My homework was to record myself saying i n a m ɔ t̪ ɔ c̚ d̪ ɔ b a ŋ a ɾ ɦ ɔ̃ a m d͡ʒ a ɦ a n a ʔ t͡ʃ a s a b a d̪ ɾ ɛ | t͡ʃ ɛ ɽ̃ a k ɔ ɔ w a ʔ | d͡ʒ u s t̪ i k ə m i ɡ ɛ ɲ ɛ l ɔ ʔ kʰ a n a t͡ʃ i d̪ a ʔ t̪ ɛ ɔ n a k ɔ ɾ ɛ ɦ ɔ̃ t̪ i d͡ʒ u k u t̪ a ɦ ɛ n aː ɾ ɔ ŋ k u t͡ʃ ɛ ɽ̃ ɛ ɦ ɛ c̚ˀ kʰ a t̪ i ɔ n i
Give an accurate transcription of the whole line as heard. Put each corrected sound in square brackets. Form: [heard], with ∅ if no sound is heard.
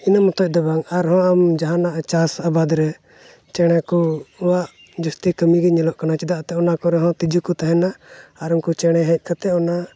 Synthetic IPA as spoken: i n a m ɔ t̪ ɔ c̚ d̪ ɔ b a ŋ a ɾ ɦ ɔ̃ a m d͡ʒ a ɦ a n a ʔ t͡ʃ a s a b a d̪ ɾ ɛ | t͡ʃ ɛ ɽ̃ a k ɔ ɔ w a ʔ | d͡ʒ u s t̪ i k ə m i ɡ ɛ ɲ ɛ l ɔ ʔ [k] a n a t͡ʃ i d̪ a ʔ t̪ ɛ ɔ n a k ɔ ɾ ɛ ɦ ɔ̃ t̪ i d͡ʒ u k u t̪ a ɦ ɛ n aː ɾ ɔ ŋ k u t͡ʃ ɛ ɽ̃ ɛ ɦ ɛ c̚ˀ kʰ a t̪ [ɛ] ɔ n [a]

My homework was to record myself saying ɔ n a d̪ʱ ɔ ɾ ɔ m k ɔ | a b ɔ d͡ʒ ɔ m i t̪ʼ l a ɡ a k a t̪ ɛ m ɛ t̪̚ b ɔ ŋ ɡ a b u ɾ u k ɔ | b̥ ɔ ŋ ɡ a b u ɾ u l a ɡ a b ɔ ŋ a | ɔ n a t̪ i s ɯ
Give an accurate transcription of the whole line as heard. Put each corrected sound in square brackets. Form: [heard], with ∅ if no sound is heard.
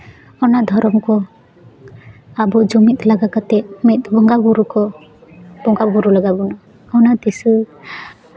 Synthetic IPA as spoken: ɔ n a d̪ʱ ɔ ɾ ɔ m k ɔ | a b ɔ d͡ʒ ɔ m i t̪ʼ l a ɡ a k a t̪ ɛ m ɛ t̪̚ b ɔ ŋ ɡ a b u ɾ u k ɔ | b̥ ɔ ŋ ɡ a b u ɾ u l a ɡ a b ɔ [n] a | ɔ n a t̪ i s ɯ

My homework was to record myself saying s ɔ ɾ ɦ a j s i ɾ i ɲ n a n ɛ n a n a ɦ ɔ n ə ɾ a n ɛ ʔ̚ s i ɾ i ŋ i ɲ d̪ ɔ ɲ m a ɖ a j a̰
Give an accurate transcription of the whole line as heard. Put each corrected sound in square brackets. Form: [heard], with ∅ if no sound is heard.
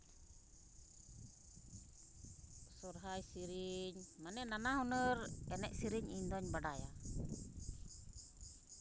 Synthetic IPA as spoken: s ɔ ɾ ɦ a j s i ɾ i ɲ [m] a n ɛ n a n a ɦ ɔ n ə ɾ [ɛ] n ɛ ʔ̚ s i ɾ i [ɲ] i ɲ d̪ ɔ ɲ [b] a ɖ a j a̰

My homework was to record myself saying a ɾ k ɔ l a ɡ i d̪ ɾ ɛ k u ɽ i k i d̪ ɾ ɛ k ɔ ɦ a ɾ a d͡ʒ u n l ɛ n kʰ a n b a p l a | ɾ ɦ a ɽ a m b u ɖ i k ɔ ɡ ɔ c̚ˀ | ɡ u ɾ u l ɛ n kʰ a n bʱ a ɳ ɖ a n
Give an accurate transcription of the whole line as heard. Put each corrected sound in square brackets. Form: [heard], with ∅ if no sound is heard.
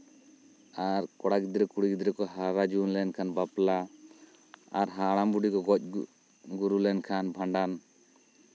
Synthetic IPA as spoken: a ɾ k ɔ [ɽ] a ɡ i d̪ ɾ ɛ k u ɽ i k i d̪ ɾ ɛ k ɔ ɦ a ɾ a d͡ʒ u n l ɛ n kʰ a n b a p l a | ɾ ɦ a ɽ a m b u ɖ i k ɔ ɡ ɔ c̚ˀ | ɡ u ɾ u l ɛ n kʰ a n bʱ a ɳ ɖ a n

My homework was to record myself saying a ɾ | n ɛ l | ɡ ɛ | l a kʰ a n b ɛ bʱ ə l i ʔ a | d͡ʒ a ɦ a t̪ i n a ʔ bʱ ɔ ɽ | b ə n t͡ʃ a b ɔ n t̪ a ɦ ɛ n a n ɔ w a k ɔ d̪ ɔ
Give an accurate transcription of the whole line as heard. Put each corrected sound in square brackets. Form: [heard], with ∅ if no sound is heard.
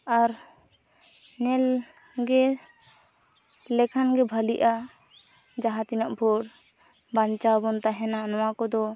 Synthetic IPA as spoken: a ɾ | n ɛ l | ɡ ɛ | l [ɛ] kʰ a n [ɡ] ɛ bʱ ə l i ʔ a | d͡ʒ a ɦ a t̪ i n a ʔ bʱ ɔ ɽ | b [a] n t͡ʃ a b ɔ n t̪ a ɦ ɛ n a n ɔ w a k ɔ d̪ ɔ

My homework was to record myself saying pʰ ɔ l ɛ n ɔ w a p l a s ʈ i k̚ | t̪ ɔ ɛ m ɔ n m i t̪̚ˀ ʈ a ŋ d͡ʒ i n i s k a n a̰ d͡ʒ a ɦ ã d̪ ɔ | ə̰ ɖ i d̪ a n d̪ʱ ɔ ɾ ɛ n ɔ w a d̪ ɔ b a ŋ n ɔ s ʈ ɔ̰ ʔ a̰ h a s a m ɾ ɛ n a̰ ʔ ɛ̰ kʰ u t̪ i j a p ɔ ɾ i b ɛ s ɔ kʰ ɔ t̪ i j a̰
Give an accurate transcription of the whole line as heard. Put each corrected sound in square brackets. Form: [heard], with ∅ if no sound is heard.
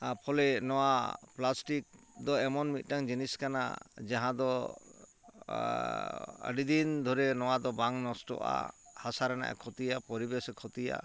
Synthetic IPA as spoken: pʰ ɔ l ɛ n ɔ w a p l a s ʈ i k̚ | [d̪] ɔ ɛ m ɔ n m i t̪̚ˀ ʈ a ŋ d͡ʒ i n i s k a n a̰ d͡ʒ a ɦ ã d̪ ɔ | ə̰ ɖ i d̪ [i] n d̪ʱ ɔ ɾ ɛ n ɔ w a d̪ ɔ b a ŋ n ɔ s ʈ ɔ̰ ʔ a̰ h a s a [∅] ɾ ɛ n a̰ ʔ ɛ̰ kʰ [ɔ] t̪ i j a p ɔ ɾ i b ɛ s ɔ kʰ ɔ t̪ i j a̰

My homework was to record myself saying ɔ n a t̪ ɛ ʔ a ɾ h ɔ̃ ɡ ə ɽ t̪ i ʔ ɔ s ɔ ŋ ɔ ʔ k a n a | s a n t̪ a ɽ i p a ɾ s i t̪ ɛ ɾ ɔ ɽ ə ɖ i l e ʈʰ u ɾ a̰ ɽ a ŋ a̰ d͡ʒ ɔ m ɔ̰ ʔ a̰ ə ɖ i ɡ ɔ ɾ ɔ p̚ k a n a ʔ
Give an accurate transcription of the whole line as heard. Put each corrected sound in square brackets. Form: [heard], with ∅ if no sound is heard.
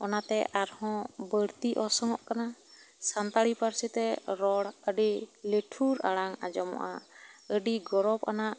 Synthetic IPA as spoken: ɔ n a t̪ ɛ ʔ a ɾ h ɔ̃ [b] ə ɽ t̪ i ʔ ɔ s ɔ ŋ ɔ ʔ k a n a | s a n t̪ a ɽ i p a ɾ s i t̪ ɛ ɾ ɔ ɽ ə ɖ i l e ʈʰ u ɾ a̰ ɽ a ŋ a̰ d͡ʒ ɔ m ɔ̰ ʔ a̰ ə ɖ i ɡ ɔ ɾ ɔ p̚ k a n a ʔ

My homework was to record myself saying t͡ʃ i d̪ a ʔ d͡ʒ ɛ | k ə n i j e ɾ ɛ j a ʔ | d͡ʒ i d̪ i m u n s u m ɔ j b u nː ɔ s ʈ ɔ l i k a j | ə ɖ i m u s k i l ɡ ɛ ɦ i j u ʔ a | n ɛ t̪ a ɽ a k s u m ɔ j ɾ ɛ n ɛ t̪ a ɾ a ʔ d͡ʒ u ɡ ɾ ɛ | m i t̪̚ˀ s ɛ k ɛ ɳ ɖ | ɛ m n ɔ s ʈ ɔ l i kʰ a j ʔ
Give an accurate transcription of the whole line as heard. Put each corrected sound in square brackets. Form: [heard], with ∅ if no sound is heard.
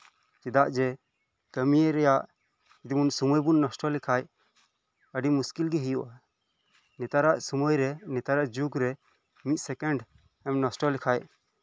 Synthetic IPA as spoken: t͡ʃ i d̪ a ʔ d͡ʒ ɛ | k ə [m] i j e ɾ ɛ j a ʔ | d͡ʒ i d̪ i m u n s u m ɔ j b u nː ɔ s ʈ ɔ l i [kʰ] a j | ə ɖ i m u s k i l ɡ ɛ ɦ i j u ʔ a | n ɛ t̪ a [ɾ] a [ʔ] s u m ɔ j ɾ ɛ n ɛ t̪ a ɾ a ʔ d͡ʒ u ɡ ɾ ɛ | m i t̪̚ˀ s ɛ k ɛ ɳ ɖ | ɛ m n ɔ s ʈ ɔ l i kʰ a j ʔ

